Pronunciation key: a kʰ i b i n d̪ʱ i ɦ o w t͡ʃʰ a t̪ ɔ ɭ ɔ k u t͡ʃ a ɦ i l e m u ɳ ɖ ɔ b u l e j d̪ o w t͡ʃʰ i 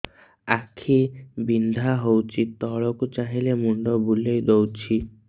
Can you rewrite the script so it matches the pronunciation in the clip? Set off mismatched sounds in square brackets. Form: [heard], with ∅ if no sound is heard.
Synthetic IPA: a kʰ i b i n d̪ʱ [a] ɦ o w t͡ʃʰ [i] t̪ ɔ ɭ ɔ k u t͡ʃ a ɦ i l e m u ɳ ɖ ɔ b u l e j d̪ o w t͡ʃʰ i